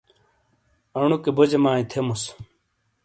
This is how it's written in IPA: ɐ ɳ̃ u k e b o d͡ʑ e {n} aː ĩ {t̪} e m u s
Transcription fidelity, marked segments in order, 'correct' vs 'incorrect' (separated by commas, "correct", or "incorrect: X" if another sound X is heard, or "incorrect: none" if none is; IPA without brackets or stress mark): incorrect: m, incorrect: t̪ʰ